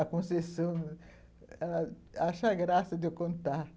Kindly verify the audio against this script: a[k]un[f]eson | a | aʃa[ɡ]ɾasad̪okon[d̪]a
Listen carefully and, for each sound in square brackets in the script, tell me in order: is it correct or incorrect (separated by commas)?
correct, incorrect, correct, incorrect